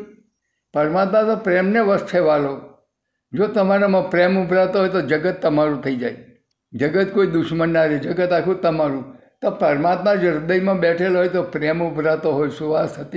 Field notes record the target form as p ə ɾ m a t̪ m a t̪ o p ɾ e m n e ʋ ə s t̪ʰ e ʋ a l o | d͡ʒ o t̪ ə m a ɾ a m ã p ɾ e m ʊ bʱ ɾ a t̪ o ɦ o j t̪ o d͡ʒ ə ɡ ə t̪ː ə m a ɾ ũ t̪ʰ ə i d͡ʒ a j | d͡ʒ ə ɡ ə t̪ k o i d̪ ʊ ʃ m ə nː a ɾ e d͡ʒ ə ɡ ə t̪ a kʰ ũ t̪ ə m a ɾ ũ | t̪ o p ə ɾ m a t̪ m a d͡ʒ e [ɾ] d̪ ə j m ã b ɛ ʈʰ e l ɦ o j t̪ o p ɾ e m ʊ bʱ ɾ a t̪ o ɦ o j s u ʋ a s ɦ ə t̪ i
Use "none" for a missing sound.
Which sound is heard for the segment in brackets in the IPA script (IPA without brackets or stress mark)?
ɾ